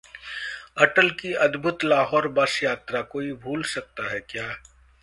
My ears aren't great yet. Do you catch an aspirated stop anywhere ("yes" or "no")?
no